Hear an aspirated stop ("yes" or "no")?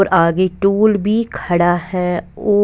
yes